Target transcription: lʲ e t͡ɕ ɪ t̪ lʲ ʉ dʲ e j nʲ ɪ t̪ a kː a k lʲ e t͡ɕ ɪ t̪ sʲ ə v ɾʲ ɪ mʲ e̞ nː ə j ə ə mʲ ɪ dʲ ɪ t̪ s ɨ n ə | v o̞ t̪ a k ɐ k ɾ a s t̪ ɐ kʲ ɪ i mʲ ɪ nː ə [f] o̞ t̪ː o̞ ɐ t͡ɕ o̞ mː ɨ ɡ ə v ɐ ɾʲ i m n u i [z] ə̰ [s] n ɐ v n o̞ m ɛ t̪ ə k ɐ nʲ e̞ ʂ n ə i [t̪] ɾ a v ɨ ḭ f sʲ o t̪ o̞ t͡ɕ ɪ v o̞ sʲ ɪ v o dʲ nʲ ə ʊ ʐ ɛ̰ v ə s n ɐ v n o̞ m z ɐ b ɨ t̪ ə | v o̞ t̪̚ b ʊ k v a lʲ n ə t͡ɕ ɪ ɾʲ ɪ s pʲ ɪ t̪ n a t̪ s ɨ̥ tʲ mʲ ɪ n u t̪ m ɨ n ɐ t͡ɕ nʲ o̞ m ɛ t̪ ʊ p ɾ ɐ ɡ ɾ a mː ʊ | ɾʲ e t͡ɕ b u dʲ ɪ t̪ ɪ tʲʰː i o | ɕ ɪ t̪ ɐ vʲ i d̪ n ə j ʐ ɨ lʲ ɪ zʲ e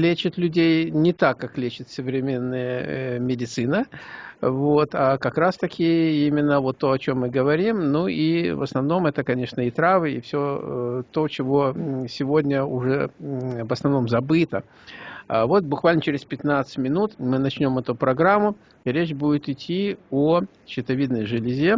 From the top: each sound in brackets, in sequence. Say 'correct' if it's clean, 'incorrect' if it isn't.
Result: incorrect: v, incorrect: v, correct, correct

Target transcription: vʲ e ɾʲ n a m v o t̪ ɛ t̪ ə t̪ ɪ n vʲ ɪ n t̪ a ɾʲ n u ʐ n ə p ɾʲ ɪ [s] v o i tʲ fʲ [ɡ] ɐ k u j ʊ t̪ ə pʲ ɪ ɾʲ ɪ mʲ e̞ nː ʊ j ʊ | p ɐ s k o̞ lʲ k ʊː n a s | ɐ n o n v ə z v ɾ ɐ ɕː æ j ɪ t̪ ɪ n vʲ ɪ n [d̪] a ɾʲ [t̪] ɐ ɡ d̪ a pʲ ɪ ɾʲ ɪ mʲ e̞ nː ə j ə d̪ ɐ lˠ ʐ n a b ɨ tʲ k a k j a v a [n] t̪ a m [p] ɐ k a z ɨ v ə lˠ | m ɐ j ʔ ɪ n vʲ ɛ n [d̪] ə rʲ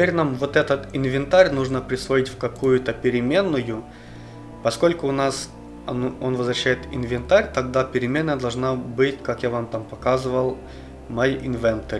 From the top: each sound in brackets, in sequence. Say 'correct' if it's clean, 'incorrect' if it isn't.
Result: correct, incorrect: k, incorrect: t̪, correct, incorrect: m, correct, incorrect: t̪

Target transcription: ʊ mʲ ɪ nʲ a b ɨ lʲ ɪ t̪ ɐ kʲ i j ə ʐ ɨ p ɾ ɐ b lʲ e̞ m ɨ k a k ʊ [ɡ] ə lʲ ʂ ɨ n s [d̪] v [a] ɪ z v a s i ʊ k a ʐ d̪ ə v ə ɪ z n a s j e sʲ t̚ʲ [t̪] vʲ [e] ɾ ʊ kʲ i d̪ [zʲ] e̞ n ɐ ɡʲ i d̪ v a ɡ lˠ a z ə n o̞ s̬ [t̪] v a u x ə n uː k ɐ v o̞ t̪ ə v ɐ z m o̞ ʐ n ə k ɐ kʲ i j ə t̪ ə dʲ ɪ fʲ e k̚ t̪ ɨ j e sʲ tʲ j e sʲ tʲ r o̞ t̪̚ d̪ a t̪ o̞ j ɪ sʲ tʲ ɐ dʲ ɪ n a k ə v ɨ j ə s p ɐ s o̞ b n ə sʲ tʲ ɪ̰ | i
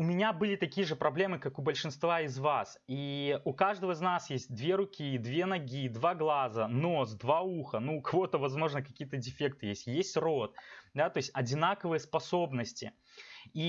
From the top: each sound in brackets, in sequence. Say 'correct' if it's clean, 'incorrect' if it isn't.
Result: incorrect: b, incorrect: t̪, correct, incorrect: d̪, correct, incorrect: vʲ, incorrect: d̪

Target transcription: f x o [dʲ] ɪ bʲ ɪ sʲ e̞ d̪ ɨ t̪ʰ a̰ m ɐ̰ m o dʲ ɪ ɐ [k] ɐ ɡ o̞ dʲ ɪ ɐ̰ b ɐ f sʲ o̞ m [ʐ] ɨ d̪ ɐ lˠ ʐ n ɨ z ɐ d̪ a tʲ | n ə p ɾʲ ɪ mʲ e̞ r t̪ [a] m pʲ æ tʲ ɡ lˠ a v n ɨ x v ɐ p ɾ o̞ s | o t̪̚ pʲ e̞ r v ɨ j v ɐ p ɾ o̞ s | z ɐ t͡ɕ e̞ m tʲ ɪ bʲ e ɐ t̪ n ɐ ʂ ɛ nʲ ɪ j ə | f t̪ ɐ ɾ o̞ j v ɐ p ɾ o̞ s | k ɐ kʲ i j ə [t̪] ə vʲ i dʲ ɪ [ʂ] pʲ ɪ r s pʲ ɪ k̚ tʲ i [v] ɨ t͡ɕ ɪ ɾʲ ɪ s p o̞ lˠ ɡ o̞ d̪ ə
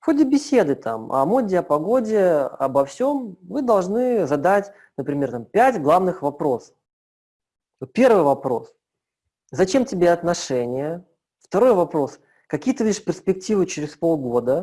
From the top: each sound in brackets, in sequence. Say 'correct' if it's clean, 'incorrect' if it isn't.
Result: correct, incorrect: p, incorrect: v, correct, correct, correct, correct

